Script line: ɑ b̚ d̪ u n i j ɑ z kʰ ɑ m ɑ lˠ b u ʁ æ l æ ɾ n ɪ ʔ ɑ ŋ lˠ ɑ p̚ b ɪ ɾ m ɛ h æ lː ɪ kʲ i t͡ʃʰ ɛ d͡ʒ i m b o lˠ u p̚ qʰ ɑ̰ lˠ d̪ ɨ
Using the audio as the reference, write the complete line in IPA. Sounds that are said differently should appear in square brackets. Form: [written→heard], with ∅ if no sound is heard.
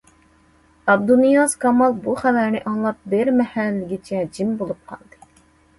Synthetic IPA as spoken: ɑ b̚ d̪ u n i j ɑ z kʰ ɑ m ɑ lˠ b u [ʁ→χ] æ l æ ɾ n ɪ ʔ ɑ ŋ lˠ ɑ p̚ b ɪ ɾ m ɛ h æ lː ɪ [kʲ→ɡʲ] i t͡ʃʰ ɛ d͡ʒ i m b o lˠ u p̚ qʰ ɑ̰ lˠ d̪ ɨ